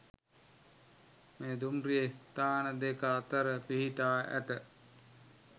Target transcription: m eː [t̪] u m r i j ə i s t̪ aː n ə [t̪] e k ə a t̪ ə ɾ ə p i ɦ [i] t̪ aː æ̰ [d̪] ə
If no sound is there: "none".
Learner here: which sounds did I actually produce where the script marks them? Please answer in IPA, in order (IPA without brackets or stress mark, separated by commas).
d̪, d̪, i, t̪